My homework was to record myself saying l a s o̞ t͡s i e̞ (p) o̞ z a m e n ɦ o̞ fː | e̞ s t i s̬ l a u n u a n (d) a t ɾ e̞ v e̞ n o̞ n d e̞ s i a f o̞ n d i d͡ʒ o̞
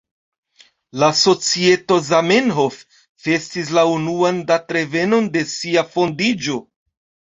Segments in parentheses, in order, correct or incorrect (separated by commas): incorrect, correct